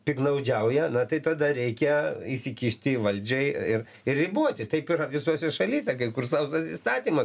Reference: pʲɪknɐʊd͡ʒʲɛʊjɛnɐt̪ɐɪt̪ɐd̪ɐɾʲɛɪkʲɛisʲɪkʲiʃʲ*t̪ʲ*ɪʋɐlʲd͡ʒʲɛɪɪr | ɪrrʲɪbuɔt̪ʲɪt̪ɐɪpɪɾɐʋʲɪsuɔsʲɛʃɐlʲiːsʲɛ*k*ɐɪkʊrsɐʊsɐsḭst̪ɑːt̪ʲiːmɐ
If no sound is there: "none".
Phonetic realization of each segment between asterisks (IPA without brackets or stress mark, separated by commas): t̪ʲ, k